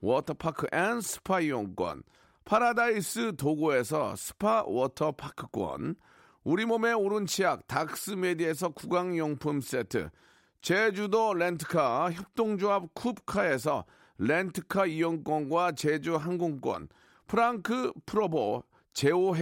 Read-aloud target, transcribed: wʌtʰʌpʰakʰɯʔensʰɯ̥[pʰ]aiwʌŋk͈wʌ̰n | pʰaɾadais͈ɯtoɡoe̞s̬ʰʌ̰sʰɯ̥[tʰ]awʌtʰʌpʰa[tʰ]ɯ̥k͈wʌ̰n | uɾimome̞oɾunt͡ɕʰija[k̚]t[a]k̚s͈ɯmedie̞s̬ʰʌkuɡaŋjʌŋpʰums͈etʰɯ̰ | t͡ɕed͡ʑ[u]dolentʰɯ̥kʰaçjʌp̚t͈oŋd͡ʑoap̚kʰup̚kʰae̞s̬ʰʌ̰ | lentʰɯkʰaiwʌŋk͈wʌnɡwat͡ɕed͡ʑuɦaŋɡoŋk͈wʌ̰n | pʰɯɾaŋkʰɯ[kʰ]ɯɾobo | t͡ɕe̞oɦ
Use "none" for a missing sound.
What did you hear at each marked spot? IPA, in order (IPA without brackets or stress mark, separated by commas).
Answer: pʰ, pʰ, kʰ, k̚, a, u, pʰ